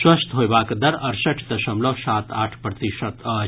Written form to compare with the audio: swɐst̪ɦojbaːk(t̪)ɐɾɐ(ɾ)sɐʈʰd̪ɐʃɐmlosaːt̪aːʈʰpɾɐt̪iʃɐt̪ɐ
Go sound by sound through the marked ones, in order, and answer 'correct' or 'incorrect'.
incorrect: d̪, correct

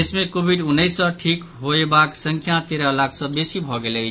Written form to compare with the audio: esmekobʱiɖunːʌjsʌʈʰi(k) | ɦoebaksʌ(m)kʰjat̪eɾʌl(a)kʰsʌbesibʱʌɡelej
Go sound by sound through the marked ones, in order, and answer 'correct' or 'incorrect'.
correct, incorrect: ŋ, correct

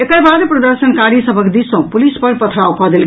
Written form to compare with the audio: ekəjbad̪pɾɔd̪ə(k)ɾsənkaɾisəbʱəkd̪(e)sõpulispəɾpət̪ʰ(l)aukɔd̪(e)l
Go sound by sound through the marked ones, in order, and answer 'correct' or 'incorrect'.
incorrect: none, incorrect: i, incorrect: ɾ, correct

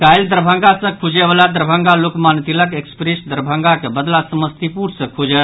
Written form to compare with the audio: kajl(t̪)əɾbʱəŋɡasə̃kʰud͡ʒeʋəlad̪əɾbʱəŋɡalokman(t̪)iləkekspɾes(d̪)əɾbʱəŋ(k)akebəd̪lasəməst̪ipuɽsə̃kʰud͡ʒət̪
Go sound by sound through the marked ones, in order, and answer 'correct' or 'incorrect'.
incorrect: d̪, correct, correct, incorrect: ɡ

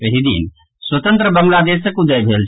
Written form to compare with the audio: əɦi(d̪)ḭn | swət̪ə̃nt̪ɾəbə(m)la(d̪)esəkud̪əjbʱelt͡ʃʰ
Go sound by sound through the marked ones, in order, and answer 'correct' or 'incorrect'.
correct, correct, correct

